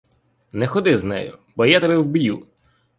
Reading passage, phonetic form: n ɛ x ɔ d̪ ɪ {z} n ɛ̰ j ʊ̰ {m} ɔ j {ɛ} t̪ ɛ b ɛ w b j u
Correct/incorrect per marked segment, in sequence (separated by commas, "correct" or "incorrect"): correct, incorrect, incorrect